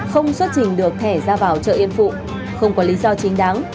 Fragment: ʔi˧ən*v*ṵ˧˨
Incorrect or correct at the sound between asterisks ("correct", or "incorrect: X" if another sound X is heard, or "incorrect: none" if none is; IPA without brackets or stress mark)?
incorrect: f